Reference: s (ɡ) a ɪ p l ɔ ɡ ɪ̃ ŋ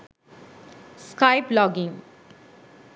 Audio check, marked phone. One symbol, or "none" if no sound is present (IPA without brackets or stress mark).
k